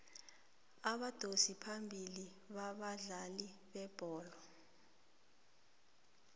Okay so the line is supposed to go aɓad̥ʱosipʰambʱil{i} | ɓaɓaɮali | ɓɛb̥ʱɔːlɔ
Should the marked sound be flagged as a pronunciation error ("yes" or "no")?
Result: no